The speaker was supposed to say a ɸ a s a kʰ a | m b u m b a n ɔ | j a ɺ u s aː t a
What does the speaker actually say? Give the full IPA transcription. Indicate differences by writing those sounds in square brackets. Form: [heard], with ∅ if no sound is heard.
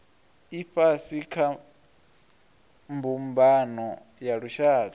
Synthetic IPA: [i] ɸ a s [i] kʰ a | m b u m b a n ɔ | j a ɺ u [ʃ] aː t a